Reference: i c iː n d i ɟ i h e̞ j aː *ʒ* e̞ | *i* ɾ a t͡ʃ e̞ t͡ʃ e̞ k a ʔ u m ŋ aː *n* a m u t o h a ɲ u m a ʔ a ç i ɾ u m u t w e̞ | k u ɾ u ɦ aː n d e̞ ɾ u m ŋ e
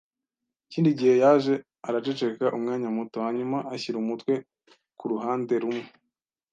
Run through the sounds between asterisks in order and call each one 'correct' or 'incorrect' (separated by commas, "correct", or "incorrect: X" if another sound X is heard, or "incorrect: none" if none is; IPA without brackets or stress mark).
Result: correct, incorrect: a, incorrect: ɲ